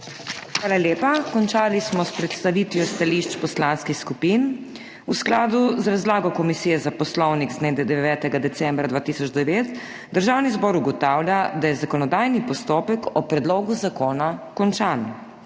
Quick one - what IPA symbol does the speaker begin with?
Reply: x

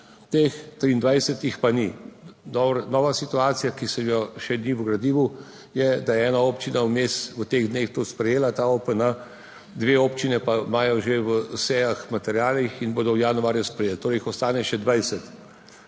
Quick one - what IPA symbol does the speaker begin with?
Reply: t̪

